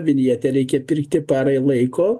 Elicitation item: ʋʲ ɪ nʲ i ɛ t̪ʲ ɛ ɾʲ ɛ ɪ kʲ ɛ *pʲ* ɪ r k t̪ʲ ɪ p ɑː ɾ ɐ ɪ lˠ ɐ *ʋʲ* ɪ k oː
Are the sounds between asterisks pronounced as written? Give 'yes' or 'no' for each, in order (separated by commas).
yes, no